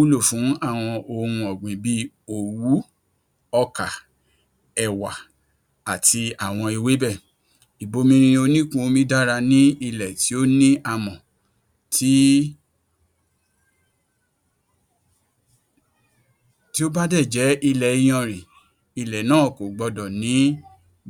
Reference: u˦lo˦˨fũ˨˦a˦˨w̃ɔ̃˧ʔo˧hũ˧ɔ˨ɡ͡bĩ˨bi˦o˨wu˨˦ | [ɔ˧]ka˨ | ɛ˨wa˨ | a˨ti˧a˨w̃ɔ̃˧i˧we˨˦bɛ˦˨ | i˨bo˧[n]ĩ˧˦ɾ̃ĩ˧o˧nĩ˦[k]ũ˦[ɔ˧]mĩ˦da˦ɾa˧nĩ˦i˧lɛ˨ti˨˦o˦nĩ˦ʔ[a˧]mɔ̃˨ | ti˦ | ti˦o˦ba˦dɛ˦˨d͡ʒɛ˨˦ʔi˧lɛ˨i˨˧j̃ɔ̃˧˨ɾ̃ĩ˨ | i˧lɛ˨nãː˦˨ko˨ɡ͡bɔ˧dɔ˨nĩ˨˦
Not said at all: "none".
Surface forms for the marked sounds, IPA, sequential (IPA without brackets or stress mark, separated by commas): ɔ˧, m, k, o˧, a˧